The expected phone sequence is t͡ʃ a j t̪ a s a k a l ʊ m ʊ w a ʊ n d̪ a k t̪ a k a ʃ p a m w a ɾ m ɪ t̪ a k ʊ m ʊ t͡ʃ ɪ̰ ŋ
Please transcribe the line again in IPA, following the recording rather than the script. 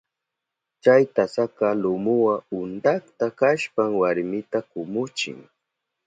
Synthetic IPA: t͡ʃ a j t̪ a s a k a l ʊ m ʊ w a ʊ n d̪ a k t̪ a k a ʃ p a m w a ɾ m ɪ t̪ a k ʊ m ʊ t͡ʃ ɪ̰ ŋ